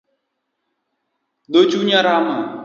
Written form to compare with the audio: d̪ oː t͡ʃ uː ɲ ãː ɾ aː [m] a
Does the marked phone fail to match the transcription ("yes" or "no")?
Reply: no